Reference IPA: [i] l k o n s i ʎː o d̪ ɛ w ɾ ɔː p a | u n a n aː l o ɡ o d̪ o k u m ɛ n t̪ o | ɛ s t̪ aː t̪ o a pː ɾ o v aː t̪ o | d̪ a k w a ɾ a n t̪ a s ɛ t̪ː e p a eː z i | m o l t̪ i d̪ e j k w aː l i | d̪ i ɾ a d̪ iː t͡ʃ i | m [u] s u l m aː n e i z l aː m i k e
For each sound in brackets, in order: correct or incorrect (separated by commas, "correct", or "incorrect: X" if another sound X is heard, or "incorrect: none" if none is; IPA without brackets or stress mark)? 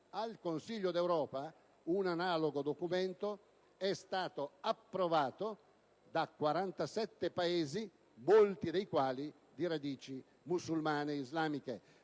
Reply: incorrect: a, correct